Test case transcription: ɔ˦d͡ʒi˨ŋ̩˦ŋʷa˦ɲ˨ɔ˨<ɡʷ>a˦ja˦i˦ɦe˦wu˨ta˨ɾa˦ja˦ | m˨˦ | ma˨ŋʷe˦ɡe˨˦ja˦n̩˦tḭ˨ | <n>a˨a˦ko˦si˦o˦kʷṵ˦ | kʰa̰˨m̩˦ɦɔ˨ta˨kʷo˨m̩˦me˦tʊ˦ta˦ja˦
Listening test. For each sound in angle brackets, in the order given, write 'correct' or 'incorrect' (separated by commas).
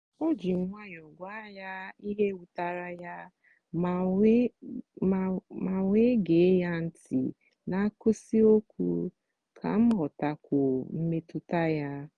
correct, correct